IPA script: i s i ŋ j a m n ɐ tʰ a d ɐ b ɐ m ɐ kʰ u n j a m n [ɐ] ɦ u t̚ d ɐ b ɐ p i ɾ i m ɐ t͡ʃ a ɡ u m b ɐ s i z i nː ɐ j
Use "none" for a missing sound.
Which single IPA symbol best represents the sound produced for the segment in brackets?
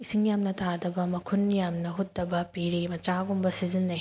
ɐ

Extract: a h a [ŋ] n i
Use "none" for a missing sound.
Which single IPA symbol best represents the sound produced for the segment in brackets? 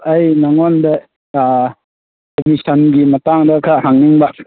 ŋ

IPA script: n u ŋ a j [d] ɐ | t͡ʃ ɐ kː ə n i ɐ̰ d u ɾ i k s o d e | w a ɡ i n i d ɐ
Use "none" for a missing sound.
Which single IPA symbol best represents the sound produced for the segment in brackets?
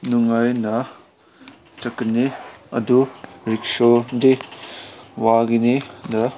n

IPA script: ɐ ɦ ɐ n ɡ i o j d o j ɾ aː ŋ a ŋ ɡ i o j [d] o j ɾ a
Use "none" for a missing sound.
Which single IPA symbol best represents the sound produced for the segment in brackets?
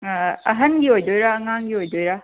d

